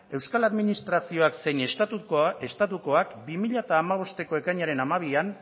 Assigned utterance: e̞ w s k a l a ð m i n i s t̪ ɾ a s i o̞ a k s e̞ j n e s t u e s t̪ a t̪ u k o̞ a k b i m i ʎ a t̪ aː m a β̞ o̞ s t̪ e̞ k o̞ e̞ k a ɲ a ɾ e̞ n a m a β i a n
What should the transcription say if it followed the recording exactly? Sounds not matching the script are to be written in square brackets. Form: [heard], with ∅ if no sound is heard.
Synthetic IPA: e̞ w s k a l a ð m i n i s t̪ ɾ a s i o̞ a k s e̞ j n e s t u e s t̪ a t̪ u k o̞ a k b i m i ʎ a t̪ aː m a β̞ o̞ s t̪ e̞ k o̞ e̞ k a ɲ a ɾ e̞ n a m a β i a n